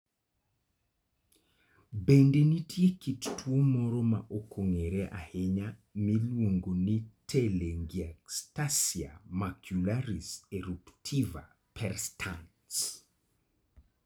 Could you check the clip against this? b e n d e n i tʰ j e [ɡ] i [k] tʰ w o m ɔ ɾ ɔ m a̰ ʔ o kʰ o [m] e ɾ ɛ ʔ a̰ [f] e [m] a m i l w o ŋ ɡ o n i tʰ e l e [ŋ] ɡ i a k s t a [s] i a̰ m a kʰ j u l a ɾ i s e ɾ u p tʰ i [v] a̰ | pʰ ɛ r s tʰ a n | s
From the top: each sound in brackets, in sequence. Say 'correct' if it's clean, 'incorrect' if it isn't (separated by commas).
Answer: incorrect, incorrect, incorrect, incorrect, incorrect, correct, correct, correct